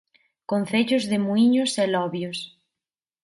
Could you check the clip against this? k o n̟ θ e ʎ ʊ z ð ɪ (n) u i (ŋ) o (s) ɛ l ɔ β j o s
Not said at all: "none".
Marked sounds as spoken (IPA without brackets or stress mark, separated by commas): m, ɲ, s